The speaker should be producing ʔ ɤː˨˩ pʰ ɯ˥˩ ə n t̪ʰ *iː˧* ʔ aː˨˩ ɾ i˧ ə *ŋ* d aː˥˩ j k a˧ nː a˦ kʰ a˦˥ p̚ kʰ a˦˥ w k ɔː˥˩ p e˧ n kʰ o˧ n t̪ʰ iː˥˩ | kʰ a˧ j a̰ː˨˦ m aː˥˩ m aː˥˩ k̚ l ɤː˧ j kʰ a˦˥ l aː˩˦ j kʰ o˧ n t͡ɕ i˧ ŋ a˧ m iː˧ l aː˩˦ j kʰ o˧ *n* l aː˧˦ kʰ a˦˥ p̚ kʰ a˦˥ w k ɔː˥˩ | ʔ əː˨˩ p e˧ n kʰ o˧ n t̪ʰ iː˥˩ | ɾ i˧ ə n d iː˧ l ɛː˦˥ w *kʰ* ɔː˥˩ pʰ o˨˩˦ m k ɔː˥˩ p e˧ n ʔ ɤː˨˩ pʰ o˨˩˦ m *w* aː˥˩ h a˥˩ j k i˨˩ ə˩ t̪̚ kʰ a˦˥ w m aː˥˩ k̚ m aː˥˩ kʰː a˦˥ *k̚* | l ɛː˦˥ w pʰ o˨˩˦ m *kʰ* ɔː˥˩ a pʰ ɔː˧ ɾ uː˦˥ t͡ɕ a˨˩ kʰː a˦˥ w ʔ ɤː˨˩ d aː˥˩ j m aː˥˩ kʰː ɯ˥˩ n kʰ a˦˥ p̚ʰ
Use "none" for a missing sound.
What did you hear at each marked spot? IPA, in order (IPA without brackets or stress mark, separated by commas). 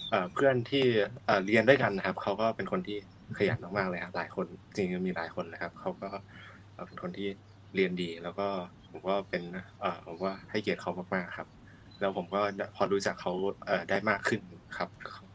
iː˥˩, n, n, k, w, p̚, k